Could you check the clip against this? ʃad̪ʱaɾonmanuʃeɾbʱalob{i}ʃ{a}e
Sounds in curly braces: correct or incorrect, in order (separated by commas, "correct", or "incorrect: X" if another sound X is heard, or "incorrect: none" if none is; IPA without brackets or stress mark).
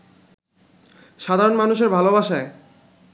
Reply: incorrect: a, correct